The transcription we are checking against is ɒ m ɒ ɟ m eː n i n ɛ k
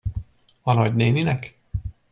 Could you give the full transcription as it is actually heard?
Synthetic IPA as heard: ɒ n ɒ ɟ n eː n i n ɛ k

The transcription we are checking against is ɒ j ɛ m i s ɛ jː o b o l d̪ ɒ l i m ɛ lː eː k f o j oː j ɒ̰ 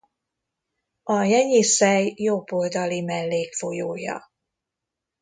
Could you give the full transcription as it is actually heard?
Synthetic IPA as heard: ɒ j ɛ ɲ i s ɛ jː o b o l d̪ ɒ l i m ɛ lː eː k f o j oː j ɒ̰

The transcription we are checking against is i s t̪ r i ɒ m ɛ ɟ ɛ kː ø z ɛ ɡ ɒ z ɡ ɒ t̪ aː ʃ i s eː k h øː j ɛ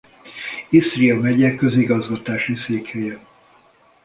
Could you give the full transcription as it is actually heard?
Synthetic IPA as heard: i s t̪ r i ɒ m ɛ ɟ ɛ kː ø z i ɡ ɒ z ɡ ɒ t̪ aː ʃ i s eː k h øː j ɛ

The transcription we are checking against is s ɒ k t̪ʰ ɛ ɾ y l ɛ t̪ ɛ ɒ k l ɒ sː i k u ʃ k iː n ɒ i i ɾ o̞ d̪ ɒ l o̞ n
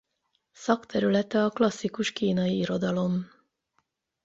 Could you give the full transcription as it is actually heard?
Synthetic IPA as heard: s ɒ k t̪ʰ ɛ ɾ y l ɛ t̪ ɛ ɒ k l ɒ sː i k u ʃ k iː n ɒ i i ɾ o̞ d̪ ɒ l o̞ m

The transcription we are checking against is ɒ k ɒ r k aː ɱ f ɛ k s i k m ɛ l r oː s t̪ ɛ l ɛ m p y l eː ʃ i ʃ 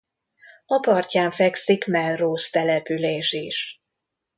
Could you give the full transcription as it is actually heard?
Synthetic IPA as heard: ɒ p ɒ r c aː ɱ f ɛ k s i k m ɛ l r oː s t̪ ɛ l ɛ p y l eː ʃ i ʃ

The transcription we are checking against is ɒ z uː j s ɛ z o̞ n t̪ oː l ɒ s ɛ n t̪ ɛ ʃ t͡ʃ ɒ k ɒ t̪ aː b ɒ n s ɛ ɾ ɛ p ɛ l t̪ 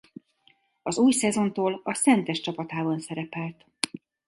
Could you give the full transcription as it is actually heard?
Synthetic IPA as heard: ɒ z uː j s ɛ z o̞ n t̪ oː l ɒ s ɛ n t̪ ɛ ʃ t͡ʃ ɒ p ɒ t̪ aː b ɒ n s ɛ ɾ ɛ p ɛ l t̪

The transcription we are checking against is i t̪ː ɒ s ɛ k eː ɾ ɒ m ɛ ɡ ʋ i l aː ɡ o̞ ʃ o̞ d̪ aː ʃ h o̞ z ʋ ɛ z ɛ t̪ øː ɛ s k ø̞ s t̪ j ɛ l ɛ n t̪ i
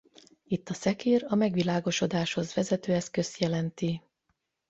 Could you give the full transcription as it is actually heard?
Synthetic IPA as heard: i t̪ː ɒ s ɛ k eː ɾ ɒ m ɛ ɡ ʋ i l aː ɡ o̞ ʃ o̞ d̪ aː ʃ h o̞ z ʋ ɛ z ɛ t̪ øː ɛ s k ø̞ s t̪ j ɛ l ɛ n t̪ i

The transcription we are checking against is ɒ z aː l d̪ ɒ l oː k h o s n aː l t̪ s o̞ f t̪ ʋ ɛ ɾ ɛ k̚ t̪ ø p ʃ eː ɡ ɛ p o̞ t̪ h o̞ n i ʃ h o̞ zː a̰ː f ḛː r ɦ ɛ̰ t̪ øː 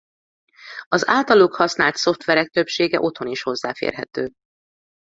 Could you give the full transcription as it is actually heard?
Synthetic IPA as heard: ɒ z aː l t̪ ɒ l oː k h ɒ s n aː l t̪ s o̞ f t̪ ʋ ɛ ɾ ɛ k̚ t̪ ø p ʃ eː ɡ ɛ ʔ o̞ t̪ h o̞ n i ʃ h o̞ zː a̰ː f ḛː r ɦ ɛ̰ t̪ øː

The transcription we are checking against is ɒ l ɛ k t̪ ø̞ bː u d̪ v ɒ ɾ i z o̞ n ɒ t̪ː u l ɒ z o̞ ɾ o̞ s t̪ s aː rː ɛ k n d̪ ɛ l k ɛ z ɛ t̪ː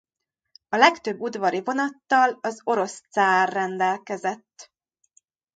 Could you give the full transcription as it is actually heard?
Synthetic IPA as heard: ɒ l ɛ k t̪ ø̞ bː u d̪ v ɒ ɾ i v o̞ n ɒ t̪ː ɒ l ɒ z o̞ ɾ o̞ s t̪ s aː rː ɛ n d̪ ɛ l k ɛ z ɛ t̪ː

